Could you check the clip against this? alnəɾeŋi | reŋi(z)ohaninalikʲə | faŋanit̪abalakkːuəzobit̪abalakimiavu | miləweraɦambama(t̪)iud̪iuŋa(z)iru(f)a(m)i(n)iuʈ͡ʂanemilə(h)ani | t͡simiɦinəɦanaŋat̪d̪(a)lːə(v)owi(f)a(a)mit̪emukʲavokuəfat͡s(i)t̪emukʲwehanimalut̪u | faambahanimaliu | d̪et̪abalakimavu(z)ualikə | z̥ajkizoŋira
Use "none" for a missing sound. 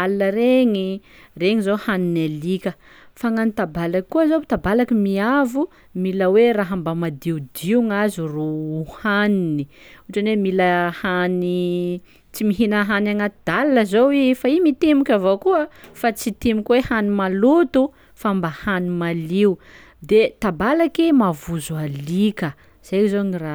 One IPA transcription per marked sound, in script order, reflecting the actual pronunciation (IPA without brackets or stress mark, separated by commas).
z, d̪, z, h, n, n, h, a, z, f, i, i, z